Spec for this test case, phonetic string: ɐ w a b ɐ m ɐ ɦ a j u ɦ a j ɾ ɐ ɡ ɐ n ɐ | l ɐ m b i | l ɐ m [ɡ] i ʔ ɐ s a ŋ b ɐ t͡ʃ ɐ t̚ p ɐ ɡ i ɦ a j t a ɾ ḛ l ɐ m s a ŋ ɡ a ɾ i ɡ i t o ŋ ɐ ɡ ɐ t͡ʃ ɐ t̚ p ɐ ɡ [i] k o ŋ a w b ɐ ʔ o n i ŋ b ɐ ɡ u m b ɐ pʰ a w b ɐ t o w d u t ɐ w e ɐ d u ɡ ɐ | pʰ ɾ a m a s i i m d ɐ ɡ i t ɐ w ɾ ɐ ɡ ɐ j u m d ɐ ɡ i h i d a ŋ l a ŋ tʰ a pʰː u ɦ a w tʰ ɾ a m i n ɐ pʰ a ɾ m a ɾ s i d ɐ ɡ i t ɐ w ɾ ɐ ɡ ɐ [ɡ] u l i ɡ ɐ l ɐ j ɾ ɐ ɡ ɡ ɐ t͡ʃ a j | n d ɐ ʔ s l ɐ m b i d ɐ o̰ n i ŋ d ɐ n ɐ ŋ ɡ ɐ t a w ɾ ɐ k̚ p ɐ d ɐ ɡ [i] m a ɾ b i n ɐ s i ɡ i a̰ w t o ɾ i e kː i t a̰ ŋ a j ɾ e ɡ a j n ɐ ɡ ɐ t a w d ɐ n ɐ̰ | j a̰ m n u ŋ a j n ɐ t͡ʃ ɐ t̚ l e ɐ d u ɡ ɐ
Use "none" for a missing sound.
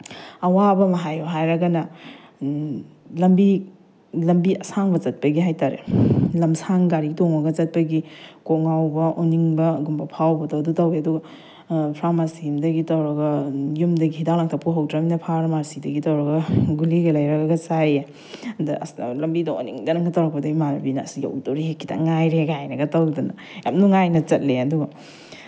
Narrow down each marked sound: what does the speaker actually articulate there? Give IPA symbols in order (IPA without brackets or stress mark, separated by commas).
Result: b, i, ɡ, i